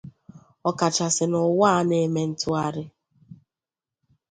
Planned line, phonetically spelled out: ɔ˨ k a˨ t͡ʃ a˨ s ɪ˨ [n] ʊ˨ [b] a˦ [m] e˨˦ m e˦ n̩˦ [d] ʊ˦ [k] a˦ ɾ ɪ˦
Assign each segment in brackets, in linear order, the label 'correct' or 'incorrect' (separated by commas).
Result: correct, incorrect, incorrect, incorrect, incorrect